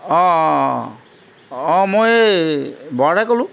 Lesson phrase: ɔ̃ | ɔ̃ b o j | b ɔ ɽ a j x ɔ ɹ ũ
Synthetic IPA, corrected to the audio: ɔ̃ | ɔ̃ m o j | b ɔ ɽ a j k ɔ l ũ